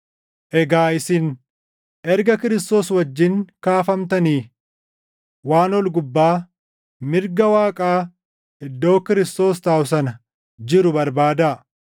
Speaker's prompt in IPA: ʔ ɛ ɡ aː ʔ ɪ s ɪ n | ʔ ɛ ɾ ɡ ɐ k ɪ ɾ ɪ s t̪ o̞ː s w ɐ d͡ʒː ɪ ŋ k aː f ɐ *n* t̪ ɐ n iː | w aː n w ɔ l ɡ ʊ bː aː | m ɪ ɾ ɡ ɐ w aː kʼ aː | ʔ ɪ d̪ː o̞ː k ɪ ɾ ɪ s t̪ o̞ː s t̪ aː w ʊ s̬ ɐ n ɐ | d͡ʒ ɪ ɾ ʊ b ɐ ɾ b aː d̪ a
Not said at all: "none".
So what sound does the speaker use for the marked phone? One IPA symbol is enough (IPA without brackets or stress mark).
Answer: m